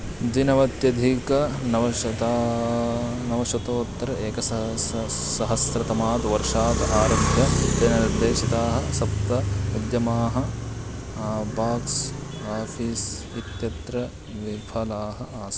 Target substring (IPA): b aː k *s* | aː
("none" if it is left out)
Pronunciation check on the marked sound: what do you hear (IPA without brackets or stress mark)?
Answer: s